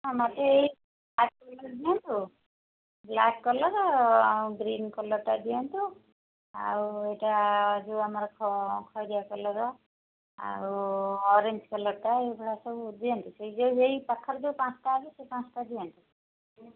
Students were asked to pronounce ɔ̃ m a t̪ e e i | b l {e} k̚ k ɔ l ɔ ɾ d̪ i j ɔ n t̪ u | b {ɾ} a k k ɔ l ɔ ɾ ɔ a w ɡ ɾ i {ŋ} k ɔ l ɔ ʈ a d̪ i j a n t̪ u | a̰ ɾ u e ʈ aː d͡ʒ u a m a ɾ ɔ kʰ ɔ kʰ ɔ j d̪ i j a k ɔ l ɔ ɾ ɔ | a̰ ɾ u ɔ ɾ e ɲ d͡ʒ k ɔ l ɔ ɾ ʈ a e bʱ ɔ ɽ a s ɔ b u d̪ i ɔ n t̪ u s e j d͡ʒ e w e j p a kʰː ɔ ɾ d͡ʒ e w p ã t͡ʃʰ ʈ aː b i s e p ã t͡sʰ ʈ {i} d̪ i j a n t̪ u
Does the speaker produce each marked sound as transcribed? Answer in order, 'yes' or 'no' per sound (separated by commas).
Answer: no, no, no, no